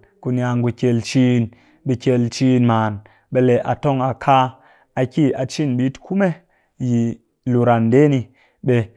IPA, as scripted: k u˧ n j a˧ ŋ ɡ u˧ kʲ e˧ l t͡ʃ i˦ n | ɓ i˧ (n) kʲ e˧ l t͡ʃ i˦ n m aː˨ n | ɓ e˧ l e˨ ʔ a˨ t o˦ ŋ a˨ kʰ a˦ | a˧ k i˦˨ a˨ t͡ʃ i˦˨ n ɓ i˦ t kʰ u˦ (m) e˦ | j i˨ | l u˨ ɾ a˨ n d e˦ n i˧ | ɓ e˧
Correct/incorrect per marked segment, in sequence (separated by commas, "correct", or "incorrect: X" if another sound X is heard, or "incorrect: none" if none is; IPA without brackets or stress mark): incorrect: none, correct